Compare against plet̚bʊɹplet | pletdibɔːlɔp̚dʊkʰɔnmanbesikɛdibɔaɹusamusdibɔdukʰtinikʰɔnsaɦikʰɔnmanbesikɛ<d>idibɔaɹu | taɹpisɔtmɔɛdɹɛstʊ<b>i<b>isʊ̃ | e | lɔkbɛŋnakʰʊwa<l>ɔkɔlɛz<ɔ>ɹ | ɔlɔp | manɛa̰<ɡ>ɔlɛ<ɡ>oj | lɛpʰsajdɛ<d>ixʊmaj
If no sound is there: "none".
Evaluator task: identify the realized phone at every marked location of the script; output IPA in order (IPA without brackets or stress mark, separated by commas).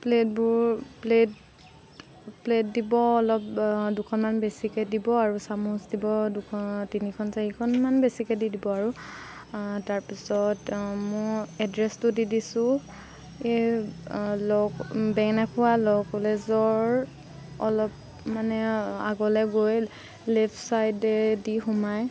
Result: d, d, d, l, ɔ, ɡ, ɡ, d